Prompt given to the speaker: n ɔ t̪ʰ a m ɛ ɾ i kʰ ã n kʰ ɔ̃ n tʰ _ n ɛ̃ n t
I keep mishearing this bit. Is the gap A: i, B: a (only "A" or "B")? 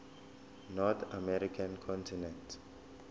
A